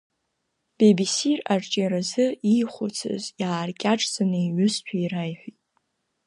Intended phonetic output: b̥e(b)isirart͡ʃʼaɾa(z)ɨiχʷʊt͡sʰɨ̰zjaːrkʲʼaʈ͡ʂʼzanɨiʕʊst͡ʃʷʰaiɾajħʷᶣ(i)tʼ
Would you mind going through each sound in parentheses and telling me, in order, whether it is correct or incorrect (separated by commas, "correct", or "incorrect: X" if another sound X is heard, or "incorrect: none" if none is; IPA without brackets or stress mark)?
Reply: correct, correct, correct